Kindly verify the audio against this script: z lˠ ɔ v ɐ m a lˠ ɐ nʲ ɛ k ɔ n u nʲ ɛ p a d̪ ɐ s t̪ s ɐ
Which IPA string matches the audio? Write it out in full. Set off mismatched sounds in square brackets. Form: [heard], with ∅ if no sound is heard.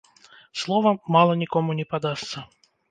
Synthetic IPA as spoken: [s] lˠ ɔ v ɐ m a lˠ ɐ nʲ [i] k ɔ [m] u nʲ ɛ p a d̪ [a] s t̪ s ɐ